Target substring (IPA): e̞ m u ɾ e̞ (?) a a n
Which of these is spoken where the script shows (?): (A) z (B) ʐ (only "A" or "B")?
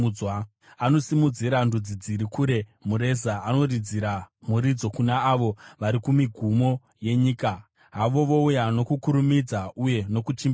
A